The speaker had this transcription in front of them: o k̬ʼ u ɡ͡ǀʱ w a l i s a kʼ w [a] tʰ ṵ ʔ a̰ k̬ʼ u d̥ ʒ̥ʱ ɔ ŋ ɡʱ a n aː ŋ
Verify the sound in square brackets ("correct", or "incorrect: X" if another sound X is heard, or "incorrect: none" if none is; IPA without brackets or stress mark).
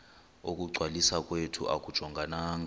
incorrect: e